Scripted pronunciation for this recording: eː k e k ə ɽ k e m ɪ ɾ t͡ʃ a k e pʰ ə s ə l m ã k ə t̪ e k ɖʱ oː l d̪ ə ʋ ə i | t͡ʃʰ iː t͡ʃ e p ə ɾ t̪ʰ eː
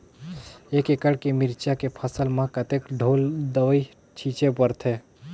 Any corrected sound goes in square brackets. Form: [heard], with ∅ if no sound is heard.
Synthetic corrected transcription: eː k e k ə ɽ k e m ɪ ɾ t͡ʃ a k e pʰ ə s ə l m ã k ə t̪ e k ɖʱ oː l d̪ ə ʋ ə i | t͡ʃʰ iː t͡ʃ e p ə ɾ t̪ʰ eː